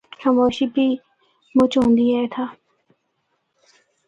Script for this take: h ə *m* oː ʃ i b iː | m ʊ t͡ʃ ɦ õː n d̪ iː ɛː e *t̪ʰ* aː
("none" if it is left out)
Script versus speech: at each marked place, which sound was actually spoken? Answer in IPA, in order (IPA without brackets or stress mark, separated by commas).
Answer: m, t̪ʰ